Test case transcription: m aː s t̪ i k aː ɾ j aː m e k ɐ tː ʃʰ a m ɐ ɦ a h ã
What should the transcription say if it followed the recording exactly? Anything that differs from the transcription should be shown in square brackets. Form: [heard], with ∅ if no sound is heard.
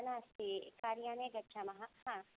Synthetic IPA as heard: [n] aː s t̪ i k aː ɾ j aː [n] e [ɡ] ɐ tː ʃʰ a m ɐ ɦ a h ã